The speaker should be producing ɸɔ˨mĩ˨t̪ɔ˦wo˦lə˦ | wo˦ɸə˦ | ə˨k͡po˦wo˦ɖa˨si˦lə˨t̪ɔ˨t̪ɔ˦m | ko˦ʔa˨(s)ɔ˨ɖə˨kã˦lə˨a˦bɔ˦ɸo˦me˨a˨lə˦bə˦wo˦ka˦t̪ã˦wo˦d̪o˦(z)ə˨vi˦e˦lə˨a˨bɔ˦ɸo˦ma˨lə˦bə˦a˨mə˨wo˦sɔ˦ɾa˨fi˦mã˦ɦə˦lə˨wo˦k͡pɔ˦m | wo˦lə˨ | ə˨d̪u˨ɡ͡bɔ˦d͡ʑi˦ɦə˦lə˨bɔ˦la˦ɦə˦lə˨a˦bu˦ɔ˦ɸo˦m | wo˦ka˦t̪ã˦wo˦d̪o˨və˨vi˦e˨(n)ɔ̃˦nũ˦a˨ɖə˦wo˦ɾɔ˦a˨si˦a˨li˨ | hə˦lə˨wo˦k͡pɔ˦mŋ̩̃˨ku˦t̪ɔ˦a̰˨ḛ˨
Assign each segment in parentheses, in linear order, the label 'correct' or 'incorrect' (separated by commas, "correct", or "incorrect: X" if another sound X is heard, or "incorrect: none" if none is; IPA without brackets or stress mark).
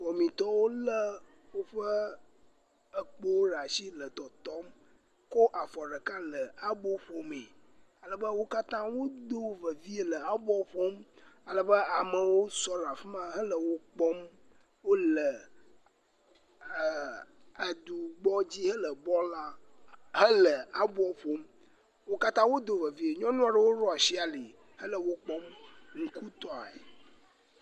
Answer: incorrect: f, incorrect: v, incorrect: ɲ